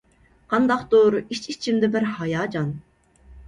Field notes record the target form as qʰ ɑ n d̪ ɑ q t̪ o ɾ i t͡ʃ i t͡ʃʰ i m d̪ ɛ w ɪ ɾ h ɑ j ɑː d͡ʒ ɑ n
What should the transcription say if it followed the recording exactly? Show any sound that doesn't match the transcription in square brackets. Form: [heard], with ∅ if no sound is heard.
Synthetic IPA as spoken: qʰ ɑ n d̪ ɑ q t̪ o ɾ i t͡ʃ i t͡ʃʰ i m d̪ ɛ [b] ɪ ɾ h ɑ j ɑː d͡ʒ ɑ n